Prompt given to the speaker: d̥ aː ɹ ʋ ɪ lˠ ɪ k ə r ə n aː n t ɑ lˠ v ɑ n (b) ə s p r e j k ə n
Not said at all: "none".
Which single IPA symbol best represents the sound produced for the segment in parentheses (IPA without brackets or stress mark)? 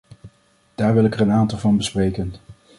b